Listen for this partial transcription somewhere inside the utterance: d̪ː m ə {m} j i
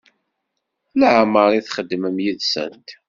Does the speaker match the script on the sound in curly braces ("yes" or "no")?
yes